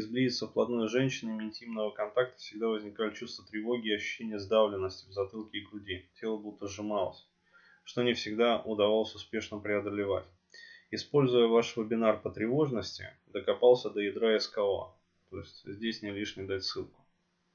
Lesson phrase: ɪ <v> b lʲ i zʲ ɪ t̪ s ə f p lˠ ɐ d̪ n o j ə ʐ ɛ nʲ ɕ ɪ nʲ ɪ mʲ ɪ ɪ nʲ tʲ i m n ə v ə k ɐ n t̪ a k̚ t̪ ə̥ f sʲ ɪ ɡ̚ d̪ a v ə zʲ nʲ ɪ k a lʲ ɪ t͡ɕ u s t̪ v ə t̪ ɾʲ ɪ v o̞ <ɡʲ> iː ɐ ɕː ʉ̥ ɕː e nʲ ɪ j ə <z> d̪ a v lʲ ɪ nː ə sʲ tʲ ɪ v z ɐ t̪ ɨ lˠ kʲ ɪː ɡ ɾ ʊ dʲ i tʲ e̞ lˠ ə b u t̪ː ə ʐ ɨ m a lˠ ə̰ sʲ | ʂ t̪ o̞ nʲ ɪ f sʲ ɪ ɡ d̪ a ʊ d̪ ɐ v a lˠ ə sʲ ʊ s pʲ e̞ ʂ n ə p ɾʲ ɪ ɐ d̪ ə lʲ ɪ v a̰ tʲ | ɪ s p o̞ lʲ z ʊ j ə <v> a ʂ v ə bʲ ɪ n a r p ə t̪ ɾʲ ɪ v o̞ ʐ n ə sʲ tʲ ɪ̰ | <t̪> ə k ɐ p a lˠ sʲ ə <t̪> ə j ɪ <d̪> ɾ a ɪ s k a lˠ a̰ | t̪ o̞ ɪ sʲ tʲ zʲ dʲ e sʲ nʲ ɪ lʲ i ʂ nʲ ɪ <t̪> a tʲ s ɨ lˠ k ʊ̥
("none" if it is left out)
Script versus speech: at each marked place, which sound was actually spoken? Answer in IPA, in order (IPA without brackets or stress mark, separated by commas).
z, ɡʲ, z, v, d̪, d̪, d̪, d̪